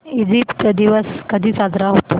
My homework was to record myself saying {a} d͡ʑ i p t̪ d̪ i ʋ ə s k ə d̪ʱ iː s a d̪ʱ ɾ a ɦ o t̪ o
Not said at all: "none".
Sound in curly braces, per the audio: i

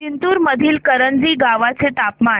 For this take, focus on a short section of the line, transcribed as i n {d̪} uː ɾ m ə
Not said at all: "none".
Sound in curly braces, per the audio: t̪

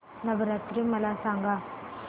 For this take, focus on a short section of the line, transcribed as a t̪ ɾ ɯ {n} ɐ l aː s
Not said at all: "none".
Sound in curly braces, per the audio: m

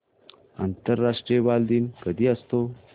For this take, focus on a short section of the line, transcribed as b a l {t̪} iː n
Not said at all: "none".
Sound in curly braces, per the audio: d̪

